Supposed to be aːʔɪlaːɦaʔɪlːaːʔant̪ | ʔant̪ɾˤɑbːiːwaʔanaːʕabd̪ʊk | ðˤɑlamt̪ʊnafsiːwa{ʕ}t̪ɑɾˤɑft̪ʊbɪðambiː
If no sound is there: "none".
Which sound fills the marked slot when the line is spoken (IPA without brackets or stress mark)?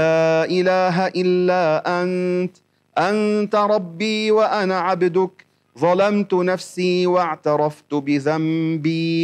ʕ